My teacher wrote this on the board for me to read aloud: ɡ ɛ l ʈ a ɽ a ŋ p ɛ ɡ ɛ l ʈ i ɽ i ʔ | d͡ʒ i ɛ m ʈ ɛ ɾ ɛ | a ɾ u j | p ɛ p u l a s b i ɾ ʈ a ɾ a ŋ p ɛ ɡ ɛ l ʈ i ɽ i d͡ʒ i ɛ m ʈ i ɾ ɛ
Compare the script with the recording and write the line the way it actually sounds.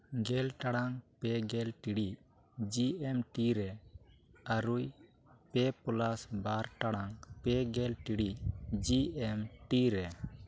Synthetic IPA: ɡ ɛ l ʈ a ɽ a ŋ p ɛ ɡ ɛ l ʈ i ɽ i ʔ | d͡ʒ i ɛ m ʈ i ɾ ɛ | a ɾ u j | p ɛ p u l a s b a ɾ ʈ a ɽ a ŋ p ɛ ɡ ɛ l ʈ i ɽ i d͡ʒ i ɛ m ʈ i ɾ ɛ